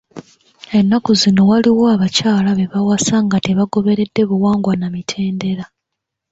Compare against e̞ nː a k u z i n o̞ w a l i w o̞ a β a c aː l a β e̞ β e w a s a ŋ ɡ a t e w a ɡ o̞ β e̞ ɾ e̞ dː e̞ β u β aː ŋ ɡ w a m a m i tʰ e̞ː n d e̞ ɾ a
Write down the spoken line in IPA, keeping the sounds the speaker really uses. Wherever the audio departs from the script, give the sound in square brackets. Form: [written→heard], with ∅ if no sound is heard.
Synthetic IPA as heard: e̞ nː a k u z i n o̞ w a l i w o̞ a β a c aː l a β e̞ β [e→a] w a s a ŋ ɡ a t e [w→β] a ɡ o̞ β e̞ ɾ e̞ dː e̞ β u [β→w] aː ŋ ɡ w a [m→n] a m i tʰ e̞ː n d e̞ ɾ a